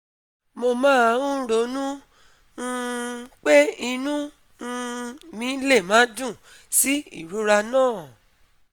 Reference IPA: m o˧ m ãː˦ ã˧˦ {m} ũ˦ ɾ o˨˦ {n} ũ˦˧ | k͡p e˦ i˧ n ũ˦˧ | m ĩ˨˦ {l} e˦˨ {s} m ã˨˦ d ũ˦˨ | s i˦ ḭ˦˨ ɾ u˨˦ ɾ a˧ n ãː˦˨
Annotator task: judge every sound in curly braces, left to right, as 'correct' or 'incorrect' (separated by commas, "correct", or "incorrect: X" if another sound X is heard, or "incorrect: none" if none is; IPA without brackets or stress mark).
incorrect: none, correct, correct, incorrect: none